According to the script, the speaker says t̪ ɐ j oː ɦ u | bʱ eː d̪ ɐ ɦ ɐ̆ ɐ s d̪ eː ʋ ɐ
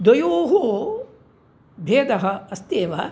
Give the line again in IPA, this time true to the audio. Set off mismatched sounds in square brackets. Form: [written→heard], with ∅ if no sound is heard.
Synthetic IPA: [t̪→d̪] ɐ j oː ɦ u | bʱ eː d̪ ɐ ɦ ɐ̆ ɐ s [d̪→t̪] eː ʋ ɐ

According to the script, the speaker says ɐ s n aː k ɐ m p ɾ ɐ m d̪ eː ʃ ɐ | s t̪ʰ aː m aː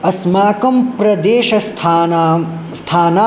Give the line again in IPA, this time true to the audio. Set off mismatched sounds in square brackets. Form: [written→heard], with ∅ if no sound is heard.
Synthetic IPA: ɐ s [n→m] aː k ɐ m p ɾ ɐ [m→∅] d̪ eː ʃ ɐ | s t̪ʰ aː [m→n] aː

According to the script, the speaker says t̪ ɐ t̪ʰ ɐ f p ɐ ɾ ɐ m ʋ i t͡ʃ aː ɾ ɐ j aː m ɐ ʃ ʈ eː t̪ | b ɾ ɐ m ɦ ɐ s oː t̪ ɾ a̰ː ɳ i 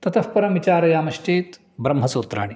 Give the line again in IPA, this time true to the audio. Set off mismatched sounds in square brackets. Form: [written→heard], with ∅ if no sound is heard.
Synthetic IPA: t̪ ɐ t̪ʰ ɐ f p ɐ ɾ ɐ m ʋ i t͡ʃ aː ɾ ɐ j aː m ɐ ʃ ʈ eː t̪ | b ɾ ɐ m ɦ ɐ s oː t̪ ɾ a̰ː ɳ i

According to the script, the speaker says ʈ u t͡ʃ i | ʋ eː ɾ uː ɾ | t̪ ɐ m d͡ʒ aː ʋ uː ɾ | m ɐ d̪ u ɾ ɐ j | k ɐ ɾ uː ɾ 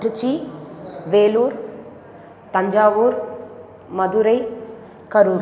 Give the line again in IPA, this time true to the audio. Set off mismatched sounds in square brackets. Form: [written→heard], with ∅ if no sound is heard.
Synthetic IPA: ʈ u t͡ʃ i | ʋ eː [ɾ→l] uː ɾ | t̪ ɐ [m→ɲ] d͡ʒ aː ʋ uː ɾ | m ɐ d̪ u ɾ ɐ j | k ɐ ɾ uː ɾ

